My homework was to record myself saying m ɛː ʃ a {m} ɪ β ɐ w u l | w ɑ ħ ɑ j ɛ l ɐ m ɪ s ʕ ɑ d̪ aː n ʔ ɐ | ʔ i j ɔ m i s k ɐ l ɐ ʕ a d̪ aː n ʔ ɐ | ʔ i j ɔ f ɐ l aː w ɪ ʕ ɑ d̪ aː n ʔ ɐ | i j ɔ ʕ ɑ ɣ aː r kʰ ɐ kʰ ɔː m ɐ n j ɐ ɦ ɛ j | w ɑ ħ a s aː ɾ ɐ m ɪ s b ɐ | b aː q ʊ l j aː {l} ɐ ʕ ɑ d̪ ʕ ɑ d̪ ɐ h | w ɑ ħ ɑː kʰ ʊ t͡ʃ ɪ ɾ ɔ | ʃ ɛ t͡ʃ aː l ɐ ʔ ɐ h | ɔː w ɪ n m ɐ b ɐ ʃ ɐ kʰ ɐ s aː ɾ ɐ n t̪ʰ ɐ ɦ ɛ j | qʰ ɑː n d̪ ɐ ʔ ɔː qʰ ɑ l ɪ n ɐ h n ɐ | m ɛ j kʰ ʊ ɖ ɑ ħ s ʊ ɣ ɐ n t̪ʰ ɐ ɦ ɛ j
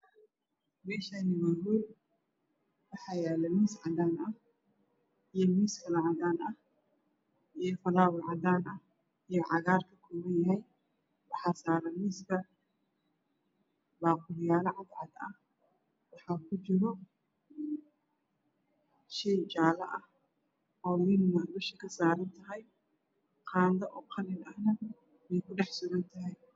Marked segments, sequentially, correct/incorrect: incorrect, correct

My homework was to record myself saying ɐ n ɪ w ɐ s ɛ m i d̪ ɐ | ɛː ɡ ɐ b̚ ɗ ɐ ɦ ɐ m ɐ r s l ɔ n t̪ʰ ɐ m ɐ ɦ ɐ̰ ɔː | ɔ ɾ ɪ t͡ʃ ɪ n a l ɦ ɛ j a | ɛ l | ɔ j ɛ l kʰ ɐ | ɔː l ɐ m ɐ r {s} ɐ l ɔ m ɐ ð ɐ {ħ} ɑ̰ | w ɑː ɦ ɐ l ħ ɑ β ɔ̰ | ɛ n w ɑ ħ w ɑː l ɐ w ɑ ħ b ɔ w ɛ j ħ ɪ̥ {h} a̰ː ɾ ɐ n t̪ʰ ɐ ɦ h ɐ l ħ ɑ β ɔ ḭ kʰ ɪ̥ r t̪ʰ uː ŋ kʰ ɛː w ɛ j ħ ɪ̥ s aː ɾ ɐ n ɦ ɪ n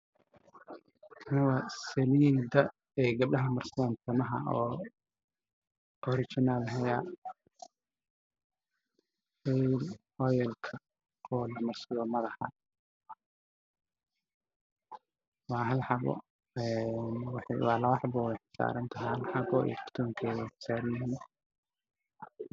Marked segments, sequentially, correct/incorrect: correct, correct, incorrect

